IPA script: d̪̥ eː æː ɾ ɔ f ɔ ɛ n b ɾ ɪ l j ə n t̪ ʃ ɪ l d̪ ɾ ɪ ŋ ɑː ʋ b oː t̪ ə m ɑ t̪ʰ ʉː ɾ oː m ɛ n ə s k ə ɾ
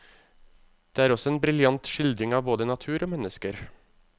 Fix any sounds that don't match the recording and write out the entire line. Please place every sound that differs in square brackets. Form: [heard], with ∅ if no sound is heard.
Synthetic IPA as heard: d̪̥ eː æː ɾ ɔ [s] ɔ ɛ n b ɾ ɪ l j [ɑ] n t̪ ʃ ɪ l d̪ ɾ ɪ ŋ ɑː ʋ b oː [d̪] ə [n] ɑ t̪ʰ ʉː ɾ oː m ɛ n ə s k ə ɾ